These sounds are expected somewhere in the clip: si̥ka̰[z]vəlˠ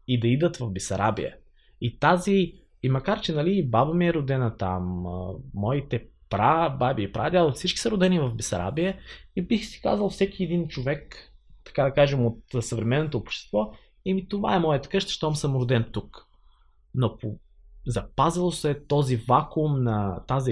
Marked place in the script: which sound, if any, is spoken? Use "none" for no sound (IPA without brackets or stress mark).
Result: z